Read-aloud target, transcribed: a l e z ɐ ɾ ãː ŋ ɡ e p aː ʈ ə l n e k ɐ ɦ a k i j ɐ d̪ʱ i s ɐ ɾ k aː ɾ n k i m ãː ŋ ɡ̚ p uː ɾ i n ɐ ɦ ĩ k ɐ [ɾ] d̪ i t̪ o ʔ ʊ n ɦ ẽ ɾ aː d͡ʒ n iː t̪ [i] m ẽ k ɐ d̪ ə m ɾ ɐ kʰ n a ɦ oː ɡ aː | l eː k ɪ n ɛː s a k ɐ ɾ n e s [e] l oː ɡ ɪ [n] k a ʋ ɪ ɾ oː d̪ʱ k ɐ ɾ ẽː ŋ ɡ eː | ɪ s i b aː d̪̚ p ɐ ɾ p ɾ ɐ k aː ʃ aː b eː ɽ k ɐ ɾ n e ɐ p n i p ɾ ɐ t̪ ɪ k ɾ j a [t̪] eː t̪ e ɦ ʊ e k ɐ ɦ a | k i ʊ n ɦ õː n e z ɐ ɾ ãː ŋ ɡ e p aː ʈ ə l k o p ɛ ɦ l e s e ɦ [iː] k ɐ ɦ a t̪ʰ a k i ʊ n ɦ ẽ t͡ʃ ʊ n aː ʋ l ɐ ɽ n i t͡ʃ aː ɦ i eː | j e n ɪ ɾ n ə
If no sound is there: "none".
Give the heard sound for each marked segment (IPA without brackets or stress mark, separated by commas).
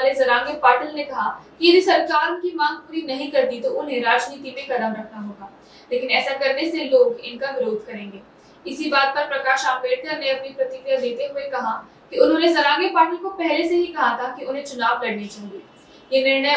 ɾ, i, e, n, d̪, i